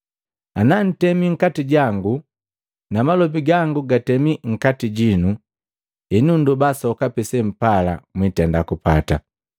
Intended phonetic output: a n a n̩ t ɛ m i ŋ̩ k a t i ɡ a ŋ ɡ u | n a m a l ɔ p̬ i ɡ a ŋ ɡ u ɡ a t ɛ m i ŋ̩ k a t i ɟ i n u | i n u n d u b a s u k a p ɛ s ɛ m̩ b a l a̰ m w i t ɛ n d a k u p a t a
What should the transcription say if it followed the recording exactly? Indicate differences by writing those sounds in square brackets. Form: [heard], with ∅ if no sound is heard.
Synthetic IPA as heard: a n a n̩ t ɛ m i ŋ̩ k a t i [ɟ] a ŋ ɡ u | n a m a l ɔ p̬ i ɡ a ŋ ɡ u ɡ a t ɛ m i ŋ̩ k a t i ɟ i n u | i n u n d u b a s [ɔ] k a p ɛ s ɛ m̩ [p] a l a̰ m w i t ɛ n d a k u p a t a